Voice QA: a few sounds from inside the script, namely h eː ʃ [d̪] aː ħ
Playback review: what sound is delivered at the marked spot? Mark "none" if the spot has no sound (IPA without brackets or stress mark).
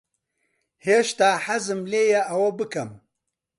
t̪